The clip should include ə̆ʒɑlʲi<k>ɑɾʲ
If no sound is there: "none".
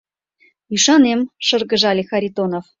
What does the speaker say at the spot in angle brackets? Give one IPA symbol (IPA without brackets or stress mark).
x